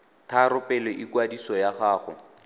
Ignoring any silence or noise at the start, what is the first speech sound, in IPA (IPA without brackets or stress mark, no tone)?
tʰ